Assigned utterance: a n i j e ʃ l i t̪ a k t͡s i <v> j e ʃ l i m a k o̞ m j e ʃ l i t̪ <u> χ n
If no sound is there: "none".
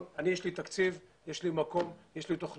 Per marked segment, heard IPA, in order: v, o

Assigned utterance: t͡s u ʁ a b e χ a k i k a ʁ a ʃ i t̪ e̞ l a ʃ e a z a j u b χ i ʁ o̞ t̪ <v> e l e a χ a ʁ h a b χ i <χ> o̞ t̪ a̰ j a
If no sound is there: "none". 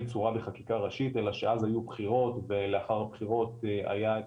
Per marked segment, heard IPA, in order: v, ʁ

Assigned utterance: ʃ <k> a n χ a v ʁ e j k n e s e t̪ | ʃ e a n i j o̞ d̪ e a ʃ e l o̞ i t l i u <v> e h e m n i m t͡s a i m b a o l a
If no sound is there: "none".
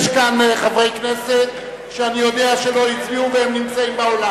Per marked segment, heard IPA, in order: k, v

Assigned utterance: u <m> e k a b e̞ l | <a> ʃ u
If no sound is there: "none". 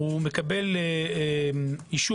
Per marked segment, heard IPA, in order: m, i

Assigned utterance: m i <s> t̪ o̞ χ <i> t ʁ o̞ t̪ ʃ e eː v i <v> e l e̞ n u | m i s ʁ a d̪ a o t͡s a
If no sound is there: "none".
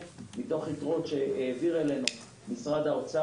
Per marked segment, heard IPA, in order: none, i, ʁ

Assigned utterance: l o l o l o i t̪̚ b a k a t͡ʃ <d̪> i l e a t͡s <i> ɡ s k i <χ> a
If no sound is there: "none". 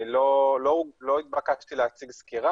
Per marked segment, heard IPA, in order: t̪, i, ʁ

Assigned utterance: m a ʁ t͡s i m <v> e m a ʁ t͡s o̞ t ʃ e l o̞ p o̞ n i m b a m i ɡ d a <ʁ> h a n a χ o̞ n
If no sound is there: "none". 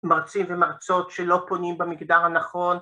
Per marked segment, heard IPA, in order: v, ʁ

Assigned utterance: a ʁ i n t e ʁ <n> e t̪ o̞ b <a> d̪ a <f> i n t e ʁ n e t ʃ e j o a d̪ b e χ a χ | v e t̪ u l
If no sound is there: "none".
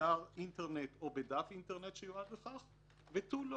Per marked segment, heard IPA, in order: n, e, f

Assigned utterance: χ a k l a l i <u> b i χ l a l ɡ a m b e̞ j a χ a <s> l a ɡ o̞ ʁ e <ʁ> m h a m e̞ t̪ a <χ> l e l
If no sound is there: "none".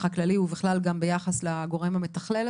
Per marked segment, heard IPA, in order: u, s, none, χ

